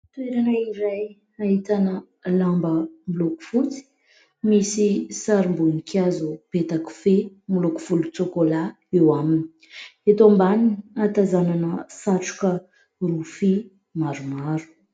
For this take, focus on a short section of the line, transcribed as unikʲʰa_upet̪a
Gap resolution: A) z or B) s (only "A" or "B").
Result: A